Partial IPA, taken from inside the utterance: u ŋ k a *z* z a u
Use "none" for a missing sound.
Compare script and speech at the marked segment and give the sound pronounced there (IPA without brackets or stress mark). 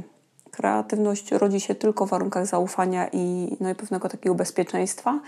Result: ɣ